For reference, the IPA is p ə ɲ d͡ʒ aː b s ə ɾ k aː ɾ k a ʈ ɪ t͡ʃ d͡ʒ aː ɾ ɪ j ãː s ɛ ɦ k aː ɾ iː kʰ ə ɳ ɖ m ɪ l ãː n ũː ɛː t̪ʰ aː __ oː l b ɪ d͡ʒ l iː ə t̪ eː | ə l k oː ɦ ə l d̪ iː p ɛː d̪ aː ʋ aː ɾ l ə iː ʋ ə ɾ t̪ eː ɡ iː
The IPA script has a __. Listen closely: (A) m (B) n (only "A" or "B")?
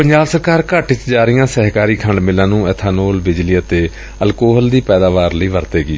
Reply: B